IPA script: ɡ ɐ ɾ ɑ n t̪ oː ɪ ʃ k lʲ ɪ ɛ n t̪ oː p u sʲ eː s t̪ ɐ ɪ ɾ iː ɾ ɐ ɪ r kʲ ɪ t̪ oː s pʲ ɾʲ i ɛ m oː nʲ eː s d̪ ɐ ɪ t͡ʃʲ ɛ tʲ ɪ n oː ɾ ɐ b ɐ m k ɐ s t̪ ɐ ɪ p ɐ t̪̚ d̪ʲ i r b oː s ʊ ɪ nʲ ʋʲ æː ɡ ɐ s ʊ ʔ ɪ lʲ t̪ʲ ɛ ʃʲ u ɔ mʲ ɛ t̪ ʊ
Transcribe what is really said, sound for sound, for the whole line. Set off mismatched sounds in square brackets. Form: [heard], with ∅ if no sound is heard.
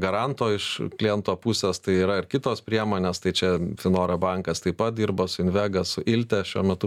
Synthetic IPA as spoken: ɡ ɐ ɾ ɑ n t̪ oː ɪ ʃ k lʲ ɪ ɛ n t̪ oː p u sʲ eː s t̪ ɐ ɪ [∅] iː ɾ ɐ ɪ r kʲ ɪ t̪ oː s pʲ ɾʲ i ɛ m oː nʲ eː s [t̪] ɐ ɪ t͡ʃʲ ɛ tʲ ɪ n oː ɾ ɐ b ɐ [ŋ] k ɐ s t̪ ɐ ɪ p ɐ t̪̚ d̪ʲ i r b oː s ʊ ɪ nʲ ʋʲ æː ɡ ɐ s ʊ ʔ ɪ lʲ t̪ʲ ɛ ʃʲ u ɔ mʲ ɛ t̪ ʊ